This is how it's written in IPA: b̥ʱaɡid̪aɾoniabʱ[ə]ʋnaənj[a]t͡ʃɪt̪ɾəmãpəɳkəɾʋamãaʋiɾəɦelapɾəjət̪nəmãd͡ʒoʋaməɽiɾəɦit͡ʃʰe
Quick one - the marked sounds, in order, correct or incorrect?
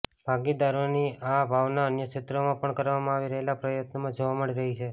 incorrect: a, incorrect: ə

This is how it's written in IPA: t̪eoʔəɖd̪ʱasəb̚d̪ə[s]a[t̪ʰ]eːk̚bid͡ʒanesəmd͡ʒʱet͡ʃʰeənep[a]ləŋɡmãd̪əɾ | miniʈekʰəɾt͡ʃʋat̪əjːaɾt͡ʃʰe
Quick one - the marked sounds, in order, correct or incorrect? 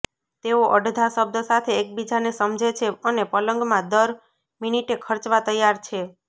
correct, correct, incorrect: ə

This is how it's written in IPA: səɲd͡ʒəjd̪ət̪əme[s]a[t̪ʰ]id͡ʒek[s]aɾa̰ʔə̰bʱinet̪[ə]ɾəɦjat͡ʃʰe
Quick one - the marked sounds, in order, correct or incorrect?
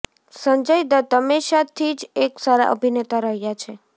incorrect: ʃ, correct, correct, incorrect: a

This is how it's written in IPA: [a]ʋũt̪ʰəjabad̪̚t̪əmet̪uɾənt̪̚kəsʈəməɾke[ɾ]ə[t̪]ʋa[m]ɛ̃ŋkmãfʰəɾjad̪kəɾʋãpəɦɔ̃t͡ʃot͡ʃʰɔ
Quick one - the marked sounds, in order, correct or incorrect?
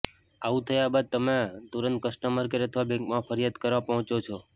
correct, correct, incorrect: t̪ʰ, incorrect: b

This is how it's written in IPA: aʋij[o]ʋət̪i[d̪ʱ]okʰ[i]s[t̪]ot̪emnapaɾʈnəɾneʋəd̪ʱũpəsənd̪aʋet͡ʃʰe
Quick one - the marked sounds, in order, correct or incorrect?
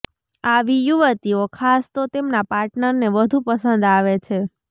incorrect: u, incorrect: none, incorrect: a, correct

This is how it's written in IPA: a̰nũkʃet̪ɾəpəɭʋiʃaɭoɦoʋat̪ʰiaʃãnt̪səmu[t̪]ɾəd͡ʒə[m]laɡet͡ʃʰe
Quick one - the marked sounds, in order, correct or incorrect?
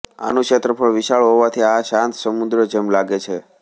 incorrect: d̪, correct

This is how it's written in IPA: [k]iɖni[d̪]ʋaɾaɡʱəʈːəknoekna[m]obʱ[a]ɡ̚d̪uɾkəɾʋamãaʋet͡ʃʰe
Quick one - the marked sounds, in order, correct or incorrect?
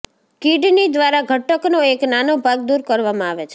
correct, correct, incorrect: n, correct

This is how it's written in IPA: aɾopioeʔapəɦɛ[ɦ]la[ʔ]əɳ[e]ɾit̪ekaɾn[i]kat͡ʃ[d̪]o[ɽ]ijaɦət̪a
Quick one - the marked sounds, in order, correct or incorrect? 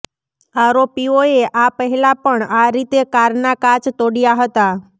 incorrect: none, incorrect: p, incorrect: a, incorrect: a, incorrect: t̪, correct

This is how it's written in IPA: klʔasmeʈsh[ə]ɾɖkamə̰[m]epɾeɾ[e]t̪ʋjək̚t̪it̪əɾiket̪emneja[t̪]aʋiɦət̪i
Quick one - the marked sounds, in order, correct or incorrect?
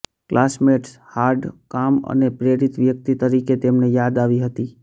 incorrect: a, incorrect: n, incorrect: i, incorrect: d̪

